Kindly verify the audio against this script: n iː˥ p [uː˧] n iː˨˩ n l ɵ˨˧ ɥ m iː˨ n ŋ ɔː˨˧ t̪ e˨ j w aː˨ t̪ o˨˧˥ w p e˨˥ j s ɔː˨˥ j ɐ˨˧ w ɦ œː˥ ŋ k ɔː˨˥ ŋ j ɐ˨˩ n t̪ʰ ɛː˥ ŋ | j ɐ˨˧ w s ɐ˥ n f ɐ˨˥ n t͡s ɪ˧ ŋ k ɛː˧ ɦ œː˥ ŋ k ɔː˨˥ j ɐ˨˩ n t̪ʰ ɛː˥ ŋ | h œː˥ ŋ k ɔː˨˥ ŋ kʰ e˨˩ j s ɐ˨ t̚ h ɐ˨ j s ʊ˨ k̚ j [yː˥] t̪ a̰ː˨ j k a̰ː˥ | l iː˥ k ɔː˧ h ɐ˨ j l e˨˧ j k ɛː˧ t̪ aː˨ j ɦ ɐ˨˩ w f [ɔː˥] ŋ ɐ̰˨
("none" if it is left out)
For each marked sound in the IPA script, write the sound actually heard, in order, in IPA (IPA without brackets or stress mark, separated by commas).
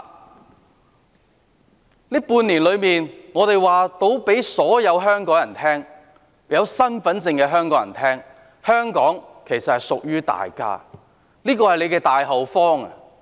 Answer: uː˧, yː˥, ɔː˥